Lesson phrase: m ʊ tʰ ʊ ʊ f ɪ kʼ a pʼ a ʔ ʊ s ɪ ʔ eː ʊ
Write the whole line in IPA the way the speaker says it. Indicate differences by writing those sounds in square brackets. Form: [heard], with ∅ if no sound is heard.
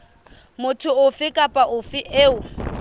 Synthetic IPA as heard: m ʊ tʰ ʊ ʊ f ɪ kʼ a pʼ a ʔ ʊ [f] ɪ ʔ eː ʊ

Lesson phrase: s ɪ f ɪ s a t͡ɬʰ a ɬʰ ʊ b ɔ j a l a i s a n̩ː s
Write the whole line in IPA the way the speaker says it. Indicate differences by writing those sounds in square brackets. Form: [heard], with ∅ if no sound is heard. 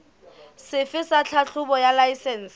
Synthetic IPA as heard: s ɪ f ɪ s a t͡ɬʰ a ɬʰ ʊ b ɔ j a l a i s [ɛ] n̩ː s

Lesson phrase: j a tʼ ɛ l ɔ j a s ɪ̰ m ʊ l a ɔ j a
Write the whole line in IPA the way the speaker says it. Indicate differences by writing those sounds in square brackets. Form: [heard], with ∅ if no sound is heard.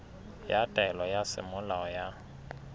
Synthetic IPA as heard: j a tʼ ɛ l ɔ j a s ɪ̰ m ʊ l a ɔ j a

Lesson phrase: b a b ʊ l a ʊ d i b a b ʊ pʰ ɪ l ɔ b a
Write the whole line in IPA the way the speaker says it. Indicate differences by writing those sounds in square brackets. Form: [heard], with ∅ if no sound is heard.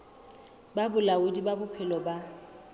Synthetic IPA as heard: b a b ʊ l a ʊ d i b a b ʊ pʰ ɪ l ɔ b a

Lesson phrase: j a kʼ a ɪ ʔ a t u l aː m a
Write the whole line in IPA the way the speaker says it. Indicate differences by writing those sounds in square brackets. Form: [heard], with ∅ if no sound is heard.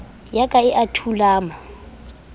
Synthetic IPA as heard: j a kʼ a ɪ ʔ a [tʰ] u l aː m a

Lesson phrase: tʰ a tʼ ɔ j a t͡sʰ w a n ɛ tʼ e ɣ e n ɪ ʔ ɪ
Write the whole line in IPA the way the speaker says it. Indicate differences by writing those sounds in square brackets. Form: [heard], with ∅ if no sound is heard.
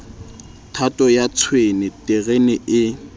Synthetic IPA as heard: tʰ a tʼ ɔ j a t͡sʰ w [e] n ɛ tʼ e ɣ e n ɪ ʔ ɪ

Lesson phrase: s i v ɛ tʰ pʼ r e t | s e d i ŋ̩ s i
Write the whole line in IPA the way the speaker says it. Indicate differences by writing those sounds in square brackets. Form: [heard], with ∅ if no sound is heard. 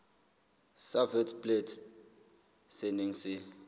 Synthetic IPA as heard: s [a] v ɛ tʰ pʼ [l] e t | s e [n] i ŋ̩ s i

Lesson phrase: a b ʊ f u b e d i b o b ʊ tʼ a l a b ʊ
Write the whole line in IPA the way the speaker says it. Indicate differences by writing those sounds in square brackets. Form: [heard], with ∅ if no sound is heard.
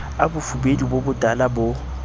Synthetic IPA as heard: a b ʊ f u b e d i b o b ʊ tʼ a l a b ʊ

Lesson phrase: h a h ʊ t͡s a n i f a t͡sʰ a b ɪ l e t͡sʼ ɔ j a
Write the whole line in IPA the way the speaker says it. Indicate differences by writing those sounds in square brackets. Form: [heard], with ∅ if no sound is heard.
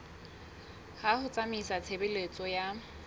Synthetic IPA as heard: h a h ʊ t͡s a [m] i [s] a t͡sʰ [e] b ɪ l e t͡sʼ ɔ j a

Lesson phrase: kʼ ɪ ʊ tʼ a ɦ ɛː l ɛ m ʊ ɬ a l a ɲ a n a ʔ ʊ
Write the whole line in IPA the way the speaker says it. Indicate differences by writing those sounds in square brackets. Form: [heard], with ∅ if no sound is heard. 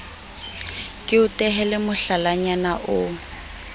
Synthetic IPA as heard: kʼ ɪ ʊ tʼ [ɛ] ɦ [ɛ] l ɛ m ʊ ɬ a l a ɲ a n a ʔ ʊ

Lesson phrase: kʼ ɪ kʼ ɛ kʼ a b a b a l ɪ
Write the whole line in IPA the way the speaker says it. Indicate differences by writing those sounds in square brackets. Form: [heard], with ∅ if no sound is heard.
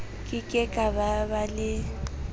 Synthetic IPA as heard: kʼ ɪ kʼ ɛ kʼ a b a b a l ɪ

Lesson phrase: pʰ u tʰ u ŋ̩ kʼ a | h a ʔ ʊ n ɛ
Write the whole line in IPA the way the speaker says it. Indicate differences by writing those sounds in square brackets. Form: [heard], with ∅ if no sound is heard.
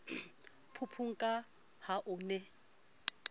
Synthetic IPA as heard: pʰ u [pʰ] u ŋ̩ kʼ a | h a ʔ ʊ n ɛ

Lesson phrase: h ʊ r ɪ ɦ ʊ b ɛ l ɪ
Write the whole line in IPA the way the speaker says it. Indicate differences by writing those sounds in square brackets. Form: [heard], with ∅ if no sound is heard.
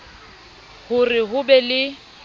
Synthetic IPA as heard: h ʊ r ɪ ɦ ʊ b ɛ l ɪ

